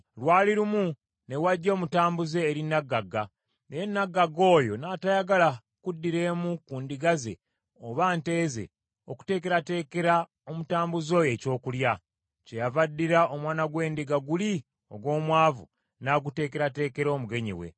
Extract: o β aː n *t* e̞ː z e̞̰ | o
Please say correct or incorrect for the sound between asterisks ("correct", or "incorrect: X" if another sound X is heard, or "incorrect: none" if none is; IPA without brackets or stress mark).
correct